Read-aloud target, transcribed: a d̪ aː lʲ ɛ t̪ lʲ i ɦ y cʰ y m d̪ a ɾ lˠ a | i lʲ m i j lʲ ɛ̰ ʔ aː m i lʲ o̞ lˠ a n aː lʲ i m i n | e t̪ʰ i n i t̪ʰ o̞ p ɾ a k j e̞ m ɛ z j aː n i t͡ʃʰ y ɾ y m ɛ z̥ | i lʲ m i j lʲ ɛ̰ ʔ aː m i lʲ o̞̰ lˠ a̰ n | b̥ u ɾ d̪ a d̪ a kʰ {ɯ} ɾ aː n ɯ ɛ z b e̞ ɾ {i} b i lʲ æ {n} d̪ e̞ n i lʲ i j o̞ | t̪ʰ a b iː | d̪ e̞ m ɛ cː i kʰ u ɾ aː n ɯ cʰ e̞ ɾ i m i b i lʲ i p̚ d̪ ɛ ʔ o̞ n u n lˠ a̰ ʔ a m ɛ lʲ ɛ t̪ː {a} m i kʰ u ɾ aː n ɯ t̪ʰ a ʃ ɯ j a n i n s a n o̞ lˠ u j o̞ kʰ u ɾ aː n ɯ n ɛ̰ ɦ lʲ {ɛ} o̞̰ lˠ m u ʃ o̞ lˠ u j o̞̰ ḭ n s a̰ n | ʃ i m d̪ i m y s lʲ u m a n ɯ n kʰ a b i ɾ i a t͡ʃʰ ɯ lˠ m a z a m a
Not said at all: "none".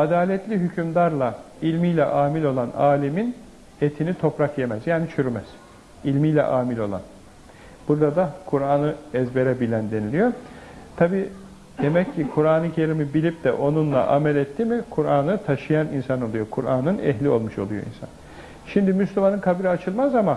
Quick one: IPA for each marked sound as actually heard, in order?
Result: u, ɛ, n, i, i

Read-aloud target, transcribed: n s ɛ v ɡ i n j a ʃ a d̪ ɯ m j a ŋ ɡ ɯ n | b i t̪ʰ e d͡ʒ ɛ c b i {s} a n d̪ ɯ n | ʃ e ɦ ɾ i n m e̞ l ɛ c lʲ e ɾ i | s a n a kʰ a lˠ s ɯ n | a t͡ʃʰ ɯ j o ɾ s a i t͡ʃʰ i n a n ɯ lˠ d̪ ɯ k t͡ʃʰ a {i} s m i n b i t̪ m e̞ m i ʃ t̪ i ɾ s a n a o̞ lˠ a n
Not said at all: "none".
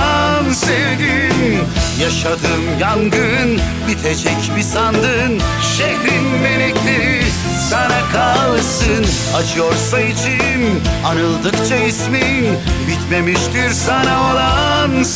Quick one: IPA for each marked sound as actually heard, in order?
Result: s, i

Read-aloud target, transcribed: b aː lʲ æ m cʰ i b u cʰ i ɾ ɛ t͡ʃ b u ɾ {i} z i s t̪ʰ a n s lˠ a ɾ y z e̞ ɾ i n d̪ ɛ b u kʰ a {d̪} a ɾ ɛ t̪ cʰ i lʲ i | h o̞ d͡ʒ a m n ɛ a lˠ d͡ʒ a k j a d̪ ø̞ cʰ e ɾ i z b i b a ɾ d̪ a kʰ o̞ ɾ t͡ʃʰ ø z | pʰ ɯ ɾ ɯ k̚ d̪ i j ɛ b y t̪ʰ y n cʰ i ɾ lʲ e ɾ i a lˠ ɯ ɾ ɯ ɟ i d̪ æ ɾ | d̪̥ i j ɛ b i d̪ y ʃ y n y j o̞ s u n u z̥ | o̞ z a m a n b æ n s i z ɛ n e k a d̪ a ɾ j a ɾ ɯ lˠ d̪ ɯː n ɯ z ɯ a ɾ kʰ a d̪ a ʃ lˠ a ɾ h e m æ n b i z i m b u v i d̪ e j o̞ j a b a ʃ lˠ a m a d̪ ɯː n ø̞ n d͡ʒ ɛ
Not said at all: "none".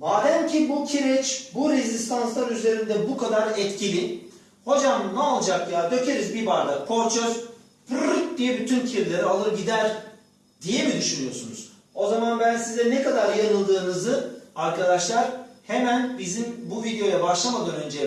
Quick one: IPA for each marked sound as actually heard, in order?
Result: e, d̪

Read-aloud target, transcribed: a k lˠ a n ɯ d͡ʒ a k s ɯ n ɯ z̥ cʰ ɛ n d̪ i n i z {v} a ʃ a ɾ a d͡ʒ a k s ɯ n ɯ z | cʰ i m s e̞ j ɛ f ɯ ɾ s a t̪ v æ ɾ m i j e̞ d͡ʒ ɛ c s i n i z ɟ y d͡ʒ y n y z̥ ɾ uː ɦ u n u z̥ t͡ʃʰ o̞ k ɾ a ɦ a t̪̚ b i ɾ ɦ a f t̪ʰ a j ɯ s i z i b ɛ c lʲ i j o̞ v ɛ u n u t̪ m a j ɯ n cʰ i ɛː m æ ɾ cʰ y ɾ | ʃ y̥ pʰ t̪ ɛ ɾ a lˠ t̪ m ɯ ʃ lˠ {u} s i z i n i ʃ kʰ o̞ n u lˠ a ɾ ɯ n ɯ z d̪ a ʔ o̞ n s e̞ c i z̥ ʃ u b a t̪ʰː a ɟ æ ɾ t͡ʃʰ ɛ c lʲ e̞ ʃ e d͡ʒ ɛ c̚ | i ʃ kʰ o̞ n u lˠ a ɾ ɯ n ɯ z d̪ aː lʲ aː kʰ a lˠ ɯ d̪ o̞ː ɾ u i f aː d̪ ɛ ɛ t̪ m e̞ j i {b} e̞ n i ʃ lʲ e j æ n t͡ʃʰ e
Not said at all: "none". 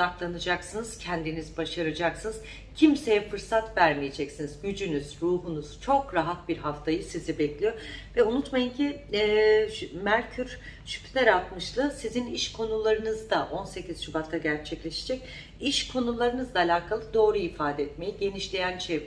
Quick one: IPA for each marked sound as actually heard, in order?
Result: b, ɯ, ɟ

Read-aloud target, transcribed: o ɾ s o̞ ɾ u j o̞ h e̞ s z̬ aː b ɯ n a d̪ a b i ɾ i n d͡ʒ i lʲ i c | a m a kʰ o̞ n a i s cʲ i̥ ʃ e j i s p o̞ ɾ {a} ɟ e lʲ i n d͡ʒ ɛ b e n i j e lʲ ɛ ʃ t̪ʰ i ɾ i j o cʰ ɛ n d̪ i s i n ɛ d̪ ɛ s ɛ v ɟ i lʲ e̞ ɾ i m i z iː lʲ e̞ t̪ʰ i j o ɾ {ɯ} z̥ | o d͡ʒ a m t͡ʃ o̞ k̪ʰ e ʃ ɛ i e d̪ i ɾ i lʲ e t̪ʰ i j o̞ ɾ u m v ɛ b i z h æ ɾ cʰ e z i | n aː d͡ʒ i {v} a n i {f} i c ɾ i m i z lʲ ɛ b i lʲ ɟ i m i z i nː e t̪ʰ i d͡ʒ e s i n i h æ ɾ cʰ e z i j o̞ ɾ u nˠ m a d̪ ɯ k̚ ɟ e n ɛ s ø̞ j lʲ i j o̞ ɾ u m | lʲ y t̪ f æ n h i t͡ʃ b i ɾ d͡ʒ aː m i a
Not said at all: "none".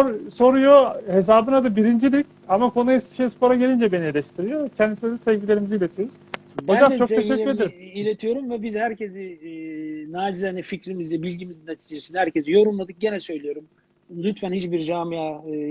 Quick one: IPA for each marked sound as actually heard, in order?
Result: a, u, z, f

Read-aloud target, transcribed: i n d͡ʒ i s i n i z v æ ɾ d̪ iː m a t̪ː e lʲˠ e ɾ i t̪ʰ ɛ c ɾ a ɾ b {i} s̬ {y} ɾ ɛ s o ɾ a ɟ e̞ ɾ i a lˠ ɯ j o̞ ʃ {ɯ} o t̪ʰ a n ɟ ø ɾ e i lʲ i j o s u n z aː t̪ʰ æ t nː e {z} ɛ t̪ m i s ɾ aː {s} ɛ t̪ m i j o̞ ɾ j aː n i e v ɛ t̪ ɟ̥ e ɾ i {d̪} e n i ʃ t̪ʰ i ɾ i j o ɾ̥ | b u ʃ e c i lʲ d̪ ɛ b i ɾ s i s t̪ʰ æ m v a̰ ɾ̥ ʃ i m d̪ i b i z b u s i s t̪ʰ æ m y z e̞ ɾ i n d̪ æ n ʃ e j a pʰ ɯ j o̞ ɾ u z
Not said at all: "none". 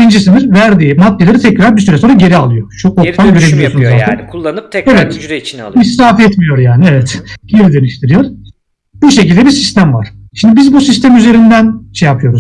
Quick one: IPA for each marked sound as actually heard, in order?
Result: i, y, u, v, f, d̪

